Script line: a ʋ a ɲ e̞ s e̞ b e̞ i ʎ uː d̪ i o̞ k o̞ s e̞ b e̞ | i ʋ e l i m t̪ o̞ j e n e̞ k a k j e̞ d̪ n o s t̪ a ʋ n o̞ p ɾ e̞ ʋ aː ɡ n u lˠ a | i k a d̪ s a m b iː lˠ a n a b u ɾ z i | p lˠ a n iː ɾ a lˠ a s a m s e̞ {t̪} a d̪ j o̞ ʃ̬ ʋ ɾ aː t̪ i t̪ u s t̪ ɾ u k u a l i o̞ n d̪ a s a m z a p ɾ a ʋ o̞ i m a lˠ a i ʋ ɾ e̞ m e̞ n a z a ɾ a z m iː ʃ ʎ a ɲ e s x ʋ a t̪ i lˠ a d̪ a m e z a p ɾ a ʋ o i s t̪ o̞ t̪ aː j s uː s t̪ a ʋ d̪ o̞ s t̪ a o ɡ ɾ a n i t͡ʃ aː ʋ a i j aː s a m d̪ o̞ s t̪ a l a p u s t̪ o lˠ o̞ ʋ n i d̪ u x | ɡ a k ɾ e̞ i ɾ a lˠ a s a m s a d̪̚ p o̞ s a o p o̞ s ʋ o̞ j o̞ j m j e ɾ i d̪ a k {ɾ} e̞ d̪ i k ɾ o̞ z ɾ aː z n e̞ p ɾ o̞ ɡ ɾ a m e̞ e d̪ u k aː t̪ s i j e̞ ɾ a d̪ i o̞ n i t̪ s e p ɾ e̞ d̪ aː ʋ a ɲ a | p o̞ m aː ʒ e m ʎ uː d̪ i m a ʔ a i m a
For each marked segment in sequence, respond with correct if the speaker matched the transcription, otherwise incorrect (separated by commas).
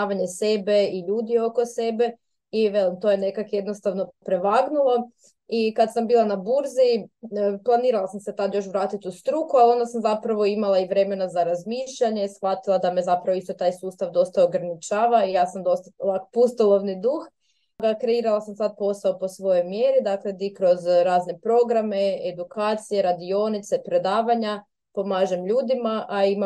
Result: correct, incorrect